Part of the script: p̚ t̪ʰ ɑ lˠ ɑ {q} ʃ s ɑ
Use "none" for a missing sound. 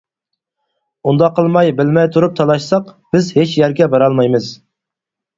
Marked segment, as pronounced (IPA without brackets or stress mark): none